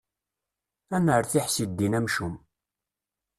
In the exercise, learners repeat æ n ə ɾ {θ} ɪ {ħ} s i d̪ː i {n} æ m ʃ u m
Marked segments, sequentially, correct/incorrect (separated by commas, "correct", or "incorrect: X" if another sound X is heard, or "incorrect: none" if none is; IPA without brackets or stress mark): correct, correct, correct